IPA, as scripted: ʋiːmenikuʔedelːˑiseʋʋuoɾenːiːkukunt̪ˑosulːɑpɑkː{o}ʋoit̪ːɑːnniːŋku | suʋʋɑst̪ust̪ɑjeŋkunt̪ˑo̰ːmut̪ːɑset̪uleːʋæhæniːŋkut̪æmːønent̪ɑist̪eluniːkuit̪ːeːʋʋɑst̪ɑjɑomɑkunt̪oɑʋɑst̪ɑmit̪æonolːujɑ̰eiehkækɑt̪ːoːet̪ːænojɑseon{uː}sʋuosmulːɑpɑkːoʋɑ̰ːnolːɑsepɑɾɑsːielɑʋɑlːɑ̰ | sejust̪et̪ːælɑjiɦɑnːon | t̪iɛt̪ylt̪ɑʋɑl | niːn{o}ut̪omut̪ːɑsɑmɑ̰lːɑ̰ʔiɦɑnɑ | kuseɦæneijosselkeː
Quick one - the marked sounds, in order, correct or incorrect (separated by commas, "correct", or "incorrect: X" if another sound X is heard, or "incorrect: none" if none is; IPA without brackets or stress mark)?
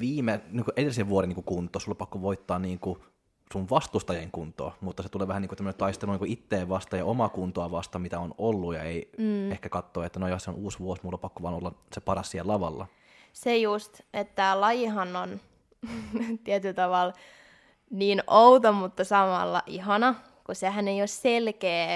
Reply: correct, correct, correct